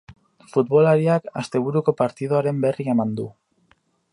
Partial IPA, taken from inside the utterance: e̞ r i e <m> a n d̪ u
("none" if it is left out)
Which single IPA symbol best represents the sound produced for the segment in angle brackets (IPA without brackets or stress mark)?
m